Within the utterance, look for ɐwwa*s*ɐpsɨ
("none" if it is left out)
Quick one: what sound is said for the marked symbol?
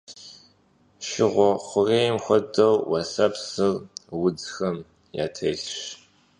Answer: s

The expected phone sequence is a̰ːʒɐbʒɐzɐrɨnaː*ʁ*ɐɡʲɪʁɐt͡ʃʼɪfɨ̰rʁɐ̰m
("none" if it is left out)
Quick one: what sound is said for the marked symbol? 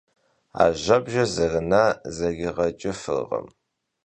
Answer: z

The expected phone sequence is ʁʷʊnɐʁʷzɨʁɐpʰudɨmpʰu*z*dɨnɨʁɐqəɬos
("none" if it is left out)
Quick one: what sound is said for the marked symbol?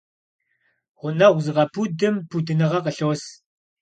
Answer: none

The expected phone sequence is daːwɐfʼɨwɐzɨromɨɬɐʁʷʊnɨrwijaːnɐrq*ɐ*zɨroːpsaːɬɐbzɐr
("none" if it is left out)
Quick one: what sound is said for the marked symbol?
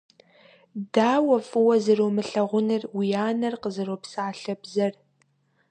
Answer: ə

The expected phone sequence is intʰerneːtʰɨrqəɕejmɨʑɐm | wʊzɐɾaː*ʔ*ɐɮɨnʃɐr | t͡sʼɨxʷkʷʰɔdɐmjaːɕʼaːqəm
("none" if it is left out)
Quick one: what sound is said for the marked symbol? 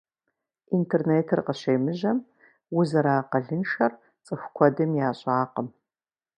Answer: q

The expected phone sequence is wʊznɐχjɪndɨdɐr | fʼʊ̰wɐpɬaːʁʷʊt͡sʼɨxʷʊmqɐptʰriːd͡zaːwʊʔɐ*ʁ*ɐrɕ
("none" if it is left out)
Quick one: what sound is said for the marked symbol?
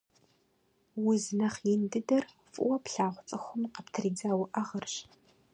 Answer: ʁ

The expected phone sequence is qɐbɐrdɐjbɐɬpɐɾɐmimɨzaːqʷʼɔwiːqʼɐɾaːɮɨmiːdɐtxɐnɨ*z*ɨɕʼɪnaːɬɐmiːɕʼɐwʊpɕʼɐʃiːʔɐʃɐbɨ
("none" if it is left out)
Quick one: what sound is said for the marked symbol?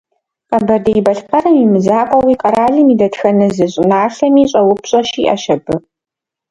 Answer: z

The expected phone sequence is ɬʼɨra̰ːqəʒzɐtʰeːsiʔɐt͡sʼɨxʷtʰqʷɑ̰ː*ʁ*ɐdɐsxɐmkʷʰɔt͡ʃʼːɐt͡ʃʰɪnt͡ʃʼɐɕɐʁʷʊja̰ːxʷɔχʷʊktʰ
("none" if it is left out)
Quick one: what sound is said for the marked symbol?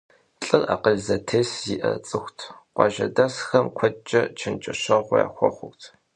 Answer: ʒ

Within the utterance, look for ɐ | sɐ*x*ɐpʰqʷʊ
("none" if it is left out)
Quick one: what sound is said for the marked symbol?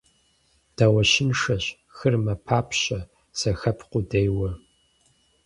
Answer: x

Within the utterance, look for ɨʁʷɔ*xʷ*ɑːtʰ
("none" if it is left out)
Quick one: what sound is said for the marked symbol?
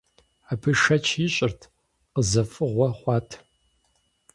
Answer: χʷ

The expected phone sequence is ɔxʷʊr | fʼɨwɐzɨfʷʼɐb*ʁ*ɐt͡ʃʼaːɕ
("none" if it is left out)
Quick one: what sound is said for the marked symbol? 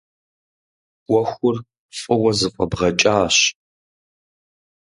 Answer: ʁ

